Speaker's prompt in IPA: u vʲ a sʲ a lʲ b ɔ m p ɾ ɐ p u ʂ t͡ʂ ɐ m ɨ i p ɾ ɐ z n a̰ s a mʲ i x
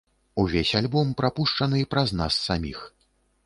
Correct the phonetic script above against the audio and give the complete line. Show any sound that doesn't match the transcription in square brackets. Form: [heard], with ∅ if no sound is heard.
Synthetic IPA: u vʲ [e] sʲ a lʲ b ɔ m p ɾ [a] p u ʂ t͡ʂ ɐ [n] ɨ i p ɾ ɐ z n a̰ [sː] a mʲ i x

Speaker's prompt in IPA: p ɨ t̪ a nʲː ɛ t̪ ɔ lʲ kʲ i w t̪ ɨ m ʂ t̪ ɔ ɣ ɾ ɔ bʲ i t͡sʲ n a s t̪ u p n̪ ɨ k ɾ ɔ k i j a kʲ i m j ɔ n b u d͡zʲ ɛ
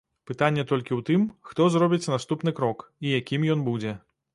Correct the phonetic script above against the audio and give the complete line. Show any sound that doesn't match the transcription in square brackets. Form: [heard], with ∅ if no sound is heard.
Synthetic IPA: p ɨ t̪ a nʲː ɛ t̪ ɔ lʲ kʲ i w t̪ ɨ m [x] t̪ ɔ [z] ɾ ɔ bʲ i t͡sʲ n a s t̪ u p n̪ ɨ k ɾ ɔ k i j a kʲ i m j ɔ n b u d͡zʲ ɛ

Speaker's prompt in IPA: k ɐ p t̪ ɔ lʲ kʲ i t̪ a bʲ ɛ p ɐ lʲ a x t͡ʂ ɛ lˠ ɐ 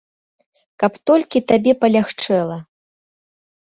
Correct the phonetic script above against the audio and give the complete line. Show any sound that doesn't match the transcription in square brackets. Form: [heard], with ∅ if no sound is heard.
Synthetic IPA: k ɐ p t̪ ɔ lʲ kʲ i t̪ a bʲ ɛ p ɐ lʲ a x t͡ʂ ɛ lˠ ɐ

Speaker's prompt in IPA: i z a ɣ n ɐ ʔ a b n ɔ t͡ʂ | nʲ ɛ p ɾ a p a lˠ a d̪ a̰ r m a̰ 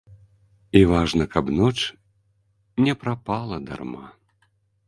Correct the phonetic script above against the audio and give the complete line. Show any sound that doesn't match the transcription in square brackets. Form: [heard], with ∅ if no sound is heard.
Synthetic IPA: i [v] a [ʐ] n ɐ [k] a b n ɔ t͡ʂ | nʲ ɛ p ɾ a p a lˠ [ɐ] d̪ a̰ r m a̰

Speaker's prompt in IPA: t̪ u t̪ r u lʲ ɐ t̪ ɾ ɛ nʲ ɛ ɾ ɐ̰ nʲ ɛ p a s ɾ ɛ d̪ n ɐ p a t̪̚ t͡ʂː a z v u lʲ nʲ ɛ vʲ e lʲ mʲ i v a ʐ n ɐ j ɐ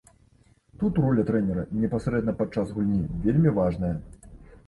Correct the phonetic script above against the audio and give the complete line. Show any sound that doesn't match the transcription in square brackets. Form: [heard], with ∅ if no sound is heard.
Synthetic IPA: t̪ u t̪ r [ɔ] lʲ ɐ t̪ ɾ ɛ nʲ ɛ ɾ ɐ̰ nʲ ɛ p a s ɾ ɛ d̪ n ɐ p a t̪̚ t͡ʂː a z [ɣ] u lʲ nʲ [i] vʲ e lʲ mʲ i v a ʐ n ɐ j ɐ

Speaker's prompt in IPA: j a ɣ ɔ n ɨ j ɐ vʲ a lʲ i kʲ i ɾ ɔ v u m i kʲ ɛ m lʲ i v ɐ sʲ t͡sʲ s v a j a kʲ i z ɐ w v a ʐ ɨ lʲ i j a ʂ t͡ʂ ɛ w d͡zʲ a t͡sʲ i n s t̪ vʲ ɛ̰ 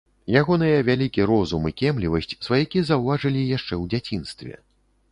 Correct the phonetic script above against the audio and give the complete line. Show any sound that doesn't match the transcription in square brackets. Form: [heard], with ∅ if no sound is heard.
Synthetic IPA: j a ɣ ɔ n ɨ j ɐ vʲ a lʲ i kʲ i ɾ ɔ [z] u m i kʲ ɛ m lʲ i v ɐ sʲ t͡sʲ s v a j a kʲ i z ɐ w v a ʐ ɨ lʲ i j a ʂ t͡ʂ ɛ w d͡zʲ a t͡sʲ i n s t̪ vʲ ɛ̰

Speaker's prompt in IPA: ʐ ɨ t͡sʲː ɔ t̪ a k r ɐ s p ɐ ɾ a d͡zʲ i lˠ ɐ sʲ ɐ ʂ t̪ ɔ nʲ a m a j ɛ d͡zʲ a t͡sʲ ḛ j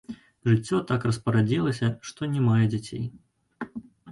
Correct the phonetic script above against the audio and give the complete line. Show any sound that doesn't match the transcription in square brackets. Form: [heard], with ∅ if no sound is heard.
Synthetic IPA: ʐ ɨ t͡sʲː ɔ t̪ a k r ɐ s p ɐ ɾ a d͡zʲ i lˠ ɐ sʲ ɐ ʂ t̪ ɔ nʲ [ɛ] m a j ɛ d͡zʲ a t͡sʲ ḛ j

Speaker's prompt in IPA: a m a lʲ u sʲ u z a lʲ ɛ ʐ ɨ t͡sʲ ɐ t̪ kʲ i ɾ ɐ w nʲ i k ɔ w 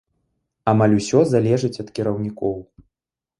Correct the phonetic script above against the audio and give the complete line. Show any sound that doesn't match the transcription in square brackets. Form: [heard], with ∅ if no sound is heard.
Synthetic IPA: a m a lʲ u sʲ [ɔ] z a lʲ ɛ ʐ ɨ t͡sʲ ɐ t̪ kʲ i ɾ ɐ w nʲ i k ɔ w

